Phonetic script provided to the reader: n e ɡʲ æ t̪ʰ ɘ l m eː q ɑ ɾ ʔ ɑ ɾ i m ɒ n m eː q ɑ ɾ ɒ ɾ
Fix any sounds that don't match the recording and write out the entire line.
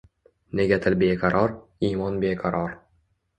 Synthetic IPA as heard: n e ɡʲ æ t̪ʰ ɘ l b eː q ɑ ɾ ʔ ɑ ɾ i m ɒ n b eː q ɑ ɾ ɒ ɾ